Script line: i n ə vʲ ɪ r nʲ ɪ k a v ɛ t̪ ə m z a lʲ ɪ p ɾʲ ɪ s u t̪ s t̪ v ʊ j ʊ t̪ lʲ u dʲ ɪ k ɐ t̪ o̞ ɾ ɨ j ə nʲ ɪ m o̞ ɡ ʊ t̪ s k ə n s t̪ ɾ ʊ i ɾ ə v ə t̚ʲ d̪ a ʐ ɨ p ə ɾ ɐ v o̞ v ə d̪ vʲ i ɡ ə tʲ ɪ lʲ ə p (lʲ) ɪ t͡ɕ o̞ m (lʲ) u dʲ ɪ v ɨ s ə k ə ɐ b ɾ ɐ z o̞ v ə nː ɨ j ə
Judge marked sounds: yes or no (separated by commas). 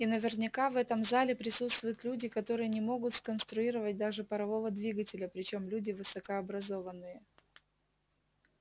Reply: no, yes